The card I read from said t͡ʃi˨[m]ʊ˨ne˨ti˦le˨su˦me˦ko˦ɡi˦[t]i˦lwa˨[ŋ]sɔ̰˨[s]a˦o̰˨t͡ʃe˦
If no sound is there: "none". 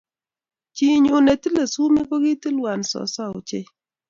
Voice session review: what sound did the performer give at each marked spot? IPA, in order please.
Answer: ɲ, t, n, s

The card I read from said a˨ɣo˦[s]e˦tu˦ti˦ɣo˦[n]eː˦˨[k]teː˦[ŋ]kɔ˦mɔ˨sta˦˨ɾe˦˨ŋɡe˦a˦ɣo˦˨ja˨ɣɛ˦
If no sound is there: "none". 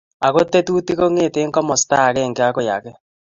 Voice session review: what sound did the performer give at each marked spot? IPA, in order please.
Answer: t, ŋ, none, ŋ

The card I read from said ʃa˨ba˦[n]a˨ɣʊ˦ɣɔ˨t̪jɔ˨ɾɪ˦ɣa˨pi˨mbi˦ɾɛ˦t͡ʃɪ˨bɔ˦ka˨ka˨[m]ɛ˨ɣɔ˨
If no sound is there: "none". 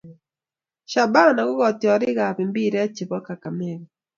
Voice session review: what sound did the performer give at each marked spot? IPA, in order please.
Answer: n, m

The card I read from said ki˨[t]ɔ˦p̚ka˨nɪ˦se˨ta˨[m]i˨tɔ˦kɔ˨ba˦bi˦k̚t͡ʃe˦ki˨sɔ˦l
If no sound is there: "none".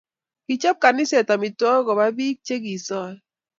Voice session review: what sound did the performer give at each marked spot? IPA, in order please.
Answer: t͡ʃ, m

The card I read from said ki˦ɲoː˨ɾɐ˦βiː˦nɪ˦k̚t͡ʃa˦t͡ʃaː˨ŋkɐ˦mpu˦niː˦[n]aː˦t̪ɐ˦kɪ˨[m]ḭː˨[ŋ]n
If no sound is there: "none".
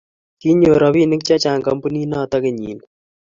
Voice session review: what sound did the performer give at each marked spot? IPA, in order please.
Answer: n, ɲ, none

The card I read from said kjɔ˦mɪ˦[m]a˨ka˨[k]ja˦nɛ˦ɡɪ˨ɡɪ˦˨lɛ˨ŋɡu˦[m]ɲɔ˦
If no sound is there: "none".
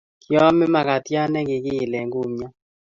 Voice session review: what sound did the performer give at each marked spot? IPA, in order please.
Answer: m, t, m

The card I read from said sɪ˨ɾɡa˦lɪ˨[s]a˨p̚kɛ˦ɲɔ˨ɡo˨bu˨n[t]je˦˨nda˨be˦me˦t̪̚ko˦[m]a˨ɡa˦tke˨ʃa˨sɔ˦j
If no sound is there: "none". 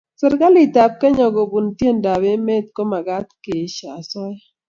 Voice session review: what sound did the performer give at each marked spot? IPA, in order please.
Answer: t, t, m

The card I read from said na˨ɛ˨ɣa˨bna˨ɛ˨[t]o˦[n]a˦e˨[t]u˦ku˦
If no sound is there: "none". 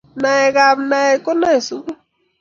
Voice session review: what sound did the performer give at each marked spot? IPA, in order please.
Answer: k, n, s

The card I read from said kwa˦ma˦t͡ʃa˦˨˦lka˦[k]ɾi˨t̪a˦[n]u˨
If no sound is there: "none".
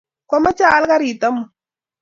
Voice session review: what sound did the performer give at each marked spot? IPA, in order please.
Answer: none, m

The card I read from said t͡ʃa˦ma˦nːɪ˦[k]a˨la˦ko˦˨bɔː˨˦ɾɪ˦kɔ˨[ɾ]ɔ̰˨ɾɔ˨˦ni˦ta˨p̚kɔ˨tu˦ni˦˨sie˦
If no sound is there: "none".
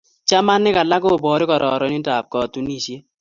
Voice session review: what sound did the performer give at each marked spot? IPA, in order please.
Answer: k, ɾ

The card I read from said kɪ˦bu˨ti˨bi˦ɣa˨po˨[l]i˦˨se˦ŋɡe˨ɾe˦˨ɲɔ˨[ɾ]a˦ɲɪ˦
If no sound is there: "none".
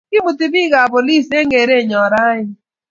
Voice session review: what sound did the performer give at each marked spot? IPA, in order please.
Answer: l, ɾ

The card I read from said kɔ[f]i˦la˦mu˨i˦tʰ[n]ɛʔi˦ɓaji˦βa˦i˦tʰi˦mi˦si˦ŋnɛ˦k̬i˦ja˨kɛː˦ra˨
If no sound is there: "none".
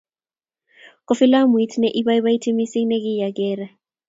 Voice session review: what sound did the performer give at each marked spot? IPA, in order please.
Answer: f, n

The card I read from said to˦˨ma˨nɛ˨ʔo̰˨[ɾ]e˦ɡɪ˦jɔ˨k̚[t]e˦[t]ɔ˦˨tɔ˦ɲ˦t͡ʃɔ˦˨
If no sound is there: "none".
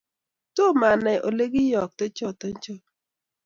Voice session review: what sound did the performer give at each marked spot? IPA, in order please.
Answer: l, t, t͡ʃ

